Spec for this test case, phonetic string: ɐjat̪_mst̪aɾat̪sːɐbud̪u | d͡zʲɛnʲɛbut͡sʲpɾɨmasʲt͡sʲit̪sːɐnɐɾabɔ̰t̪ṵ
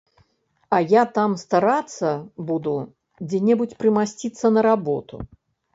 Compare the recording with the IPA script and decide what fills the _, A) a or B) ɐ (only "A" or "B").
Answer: A